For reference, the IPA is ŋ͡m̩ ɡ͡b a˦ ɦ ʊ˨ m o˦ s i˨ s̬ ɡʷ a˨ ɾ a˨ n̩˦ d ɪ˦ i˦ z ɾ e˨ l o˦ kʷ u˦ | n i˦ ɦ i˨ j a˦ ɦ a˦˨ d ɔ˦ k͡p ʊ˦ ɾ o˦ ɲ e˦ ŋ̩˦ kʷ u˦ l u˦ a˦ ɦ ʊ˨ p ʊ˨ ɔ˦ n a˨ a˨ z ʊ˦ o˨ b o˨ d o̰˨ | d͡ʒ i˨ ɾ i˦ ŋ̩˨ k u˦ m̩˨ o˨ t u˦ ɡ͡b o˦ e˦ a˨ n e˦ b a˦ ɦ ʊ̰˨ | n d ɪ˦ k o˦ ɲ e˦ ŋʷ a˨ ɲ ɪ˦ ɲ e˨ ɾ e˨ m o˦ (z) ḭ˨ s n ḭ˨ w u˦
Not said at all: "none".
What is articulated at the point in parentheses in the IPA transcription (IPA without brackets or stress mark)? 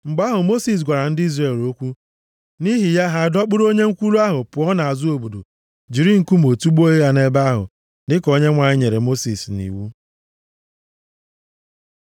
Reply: s